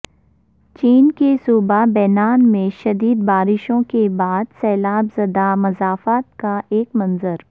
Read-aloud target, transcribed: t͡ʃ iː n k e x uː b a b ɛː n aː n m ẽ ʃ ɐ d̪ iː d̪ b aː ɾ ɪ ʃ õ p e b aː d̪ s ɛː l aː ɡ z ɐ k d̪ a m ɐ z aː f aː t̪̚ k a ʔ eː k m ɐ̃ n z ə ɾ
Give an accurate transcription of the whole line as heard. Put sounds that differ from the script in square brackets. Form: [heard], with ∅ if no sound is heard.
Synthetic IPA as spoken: t͡ʃ iː n k e [s] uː b a b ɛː n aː n m ẽ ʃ ɐ d̪ iː d̪ b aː ɾ ɪ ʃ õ [k] e b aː d̪ s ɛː l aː [b] z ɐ [∅] d̪ a m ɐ z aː f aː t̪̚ k a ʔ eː k m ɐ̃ n z ə ɾ